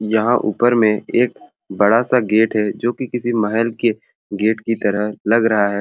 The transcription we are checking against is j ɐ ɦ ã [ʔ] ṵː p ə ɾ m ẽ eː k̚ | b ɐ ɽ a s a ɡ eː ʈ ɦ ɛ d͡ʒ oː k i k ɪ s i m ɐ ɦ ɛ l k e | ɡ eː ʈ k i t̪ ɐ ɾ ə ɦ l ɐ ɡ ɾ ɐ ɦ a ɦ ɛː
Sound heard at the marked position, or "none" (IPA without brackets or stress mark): ʔ